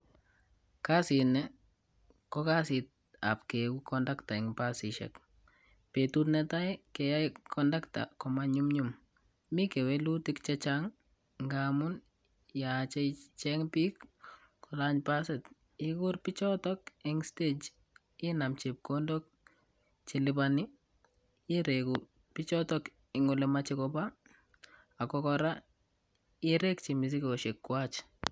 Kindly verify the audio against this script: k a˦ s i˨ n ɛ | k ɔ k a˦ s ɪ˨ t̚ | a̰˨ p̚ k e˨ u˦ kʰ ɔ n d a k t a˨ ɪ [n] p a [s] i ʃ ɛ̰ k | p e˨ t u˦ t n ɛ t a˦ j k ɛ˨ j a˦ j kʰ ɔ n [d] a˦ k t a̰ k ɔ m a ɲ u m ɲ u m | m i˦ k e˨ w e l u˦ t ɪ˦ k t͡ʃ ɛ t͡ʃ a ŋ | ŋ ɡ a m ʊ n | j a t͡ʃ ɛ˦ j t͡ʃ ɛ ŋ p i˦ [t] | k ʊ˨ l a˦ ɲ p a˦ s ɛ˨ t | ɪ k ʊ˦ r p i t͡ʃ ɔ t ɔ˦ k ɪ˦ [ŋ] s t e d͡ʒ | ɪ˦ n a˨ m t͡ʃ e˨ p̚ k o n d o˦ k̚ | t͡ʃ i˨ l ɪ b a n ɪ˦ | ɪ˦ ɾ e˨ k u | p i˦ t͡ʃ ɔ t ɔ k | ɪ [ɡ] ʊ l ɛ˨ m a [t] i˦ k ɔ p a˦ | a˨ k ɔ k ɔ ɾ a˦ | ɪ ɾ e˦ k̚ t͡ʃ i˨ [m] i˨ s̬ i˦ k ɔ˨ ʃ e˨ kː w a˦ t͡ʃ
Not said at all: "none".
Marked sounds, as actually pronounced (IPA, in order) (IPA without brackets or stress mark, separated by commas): ŋ, s, d, k, ŋ, ŋ, t͡ʃ, m